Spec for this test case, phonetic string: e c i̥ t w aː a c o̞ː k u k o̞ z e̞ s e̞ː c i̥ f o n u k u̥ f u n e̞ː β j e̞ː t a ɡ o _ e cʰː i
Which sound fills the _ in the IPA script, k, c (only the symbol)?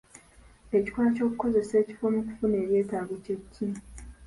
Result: c